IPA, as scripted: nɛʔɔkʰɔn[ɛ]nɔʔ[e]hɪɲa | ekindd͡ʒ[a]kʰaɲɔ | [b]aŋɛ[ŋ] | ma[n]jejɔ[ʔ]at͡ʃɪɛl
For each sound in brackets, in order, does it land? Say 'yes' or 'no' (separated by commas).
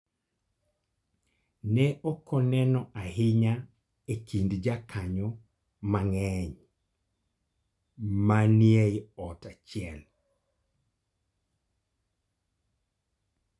yes, no, yes, no, no, yes, no